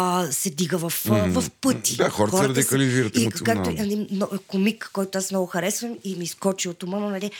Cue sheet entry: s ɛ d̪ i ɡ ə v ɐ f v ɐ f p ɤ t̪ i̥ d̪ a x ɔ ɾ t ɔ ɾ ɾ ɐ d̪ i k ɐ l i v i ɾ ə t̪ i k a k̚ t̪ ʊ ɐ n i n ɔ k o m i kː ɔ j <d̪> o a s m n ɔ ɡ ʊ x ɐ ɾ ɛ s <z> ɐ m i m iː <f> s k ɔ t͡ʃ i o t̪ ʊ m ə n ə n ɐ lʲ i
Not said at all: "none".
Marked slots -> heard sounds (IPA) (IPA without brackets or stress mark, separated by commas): t̪, v, none